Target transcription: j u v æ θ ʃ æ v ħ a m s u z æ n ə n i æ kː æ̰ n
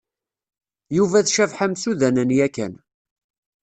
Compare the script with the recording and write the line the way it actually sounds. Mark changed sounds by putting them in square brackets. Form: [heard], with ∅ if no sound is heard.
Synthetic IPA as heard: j u v æ θ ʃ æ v ħ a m s u [ð] æ n ə n [j] æ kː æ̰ n